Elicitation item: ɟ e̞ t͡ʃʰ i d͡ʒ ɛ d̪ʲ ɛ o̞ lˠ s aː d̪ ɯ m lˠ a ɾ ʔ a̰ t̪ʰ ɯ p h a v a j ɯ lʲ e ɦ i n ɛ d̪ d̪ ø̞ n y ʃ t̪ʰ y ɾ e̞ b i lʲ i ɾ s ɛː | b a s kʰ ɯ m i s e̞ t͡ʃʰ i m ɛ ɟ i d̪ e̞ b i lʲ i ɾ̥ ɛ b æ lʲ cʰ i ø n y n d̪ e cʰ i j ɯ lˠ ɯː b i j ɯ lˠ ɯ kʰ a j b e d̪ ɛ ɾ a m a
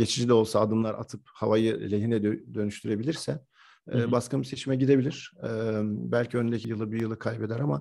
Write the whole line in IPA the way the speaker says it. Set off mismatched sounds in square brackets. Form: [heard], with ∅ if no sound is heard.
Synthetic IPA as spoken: ɟ e̞ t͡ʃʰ i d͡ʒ [i] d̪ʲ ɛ o̞ lˠ s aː d̪ ɯ m lˠ a ɾ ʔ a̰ t̪ʰ ɯ p h a v a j ɯ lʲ e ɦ i n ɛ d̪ d̪ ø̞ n y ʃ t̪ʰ y ɾ e̞ b i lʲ i ɾ s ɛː | b a s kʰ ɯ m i s e̞ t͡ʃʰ i m ɛ ɟ i d̪ e̞ b i lʲ i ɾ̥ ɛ b æ lʲ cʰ i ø n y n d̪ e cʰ i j ɯ lˠ [ɯ] b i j ɯ lˠ ɯ kʰ a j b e d̪ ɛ ɾ a m a